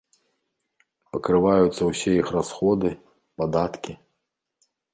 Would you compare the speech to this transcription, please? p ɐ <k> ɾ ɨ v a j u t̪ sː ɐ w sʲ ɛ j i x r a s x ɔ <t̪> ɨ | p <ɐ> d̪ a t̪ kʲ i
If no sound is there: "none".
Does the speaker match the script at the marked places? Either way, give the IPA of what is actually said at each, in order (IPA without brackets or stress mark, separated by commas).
k, d̪, a